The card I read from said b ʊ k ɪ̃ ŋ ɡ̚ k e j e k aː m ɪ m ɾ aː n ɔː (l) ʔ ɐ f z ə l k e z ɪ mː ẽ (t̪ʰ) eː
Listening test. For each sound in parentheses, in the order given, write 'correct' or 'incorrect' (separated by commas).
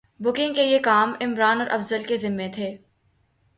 incorrect, correct